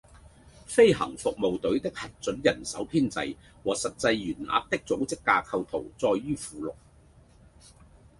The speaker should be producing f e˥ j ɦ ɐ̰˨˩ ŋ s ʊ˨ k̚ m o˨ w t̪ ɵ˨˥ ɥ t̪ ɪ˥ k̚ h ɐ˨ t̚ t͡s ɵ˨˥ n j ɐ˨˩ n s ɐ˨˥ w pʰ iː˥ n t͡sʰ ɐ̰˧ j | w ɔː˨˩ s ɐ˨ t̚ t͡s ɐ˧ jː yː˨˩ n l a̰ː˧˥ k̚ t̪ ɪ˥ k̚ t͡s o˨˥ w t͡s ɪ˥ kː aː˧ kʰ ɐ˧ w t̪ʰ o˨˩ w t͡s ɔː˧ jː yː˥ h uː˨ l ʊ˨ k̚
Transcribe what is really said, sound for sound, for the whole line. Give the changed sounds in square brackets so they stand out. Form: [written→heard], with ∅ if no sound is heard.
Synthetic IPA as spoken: f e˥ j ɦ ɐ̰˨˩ ŋ [s→f] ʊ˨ k̚ m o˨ w t̪ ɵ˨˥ ɥ t̪ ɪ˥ k̚ h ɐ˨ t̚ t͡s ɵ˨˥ n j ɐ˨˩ n s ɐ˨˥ w pʰ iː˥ n [t͡sʰ→t͡s] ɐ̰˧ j | w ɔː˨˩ s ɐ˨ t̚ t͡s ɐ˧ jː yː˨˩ n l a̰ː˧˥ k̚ t̪ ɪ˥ k̚ t͡s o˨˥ w t͡s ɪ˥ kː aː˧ kʰ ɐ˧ w t̪ʰ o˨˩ w t͡s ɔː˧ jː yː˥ [h→f] uː˨ l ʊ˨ k̚